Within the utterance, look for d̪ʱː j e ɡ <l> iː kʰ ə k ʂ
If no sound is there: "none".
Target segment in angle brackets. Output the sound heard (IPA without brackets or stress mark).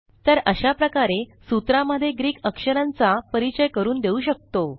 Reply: ɾ